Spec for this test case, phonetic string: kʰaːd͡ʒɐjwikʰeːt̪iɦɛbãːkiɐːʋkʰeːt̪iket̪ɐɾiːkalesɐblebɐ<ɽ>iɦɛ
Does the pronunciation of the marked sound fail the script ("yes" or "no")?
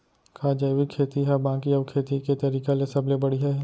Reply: no